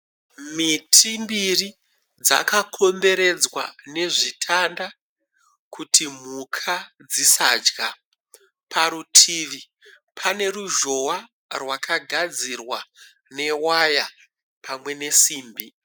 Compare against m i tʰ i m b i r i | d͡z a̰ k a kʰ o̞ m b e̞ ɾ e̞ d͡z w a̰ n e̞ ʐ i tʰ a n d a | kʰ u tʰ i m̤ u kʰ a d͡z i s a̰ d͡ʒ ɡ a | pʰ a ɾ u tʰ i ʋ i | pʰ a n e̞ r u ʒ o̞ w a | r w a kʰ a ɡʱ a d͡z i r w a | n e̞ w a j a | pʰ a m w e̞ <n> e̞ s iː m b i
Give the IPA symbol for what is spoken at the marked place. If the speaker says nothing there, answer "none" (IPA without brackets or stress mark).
n